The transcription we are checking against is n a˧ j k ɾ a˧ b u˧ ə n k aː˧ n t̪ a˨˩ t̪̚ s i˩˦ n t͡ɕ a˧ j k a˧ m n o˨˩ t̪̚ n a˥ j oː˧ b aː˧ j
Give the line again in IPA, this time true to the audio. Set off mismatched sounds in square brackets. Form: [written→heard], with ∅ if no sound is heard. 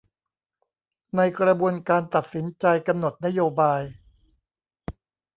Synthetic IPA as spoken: n a˧ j k ɾ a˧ b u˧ ə n k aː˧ n t̪ a˨˩ t̪̚ s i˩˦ n t͡ɕ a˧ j k a˧ m n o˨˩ t̪̚ n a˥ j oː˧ b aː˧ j